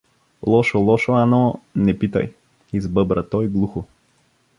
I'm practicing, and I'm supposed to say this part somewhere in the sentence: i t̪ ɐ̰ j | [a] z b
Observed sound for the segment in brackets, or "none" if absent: i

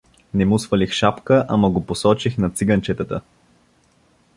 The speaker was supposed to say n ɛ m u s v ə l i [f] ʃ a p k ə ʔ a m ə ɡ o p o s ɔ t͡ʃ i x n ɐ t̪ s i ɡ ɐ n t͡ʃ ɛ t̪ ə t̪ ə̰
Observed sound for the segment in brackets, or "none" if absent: x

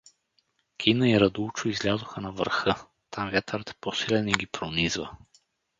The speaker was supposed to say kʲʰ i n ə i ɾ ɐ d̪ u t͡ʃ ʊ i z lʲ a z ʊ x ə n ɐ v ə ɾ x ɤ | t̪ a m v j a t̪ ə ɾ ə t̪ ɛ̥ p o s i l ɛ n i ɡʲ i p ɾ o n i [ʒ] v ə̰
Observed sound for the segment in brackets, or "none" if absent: z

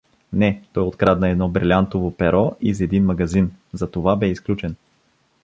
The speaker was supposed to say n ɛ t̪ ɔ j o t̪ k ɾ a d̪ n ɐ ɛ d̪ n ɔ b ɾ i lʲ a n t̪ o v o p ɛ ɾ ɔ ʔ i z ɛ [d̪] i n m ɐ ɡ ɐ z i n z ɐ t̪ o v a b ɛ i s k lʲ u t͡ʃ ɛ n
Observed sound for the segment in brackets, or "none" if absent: d̪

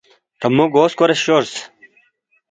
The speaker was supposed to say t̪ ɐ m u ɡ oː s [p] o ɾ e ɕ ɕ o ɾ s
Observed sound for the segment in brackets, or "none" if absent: k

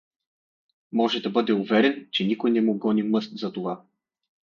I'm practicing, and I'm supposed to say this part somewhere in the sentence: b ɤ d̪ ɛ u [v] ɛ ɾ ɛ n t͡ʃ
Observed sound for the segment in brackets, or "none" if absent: v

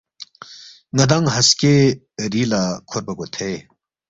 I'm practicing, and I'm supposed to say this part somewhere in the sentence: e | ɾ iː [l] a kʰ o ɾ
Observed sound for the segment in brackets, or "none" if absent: l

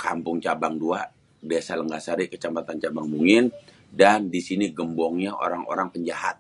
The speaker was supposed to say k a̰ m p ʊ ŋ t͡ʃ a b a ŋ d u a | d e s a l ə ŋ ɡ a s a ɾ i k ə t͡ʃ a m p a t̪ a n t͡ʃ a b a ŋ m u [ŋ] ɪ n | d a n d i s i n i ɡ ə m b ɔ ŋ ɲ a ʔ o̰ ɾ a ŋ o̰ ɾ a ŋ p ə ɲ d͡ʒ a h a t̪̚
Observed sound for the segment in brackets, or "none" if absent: ŋ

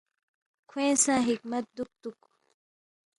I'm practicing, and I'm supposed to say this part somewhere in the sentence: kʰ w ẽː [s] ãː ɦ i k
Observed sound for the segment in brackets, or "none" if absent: s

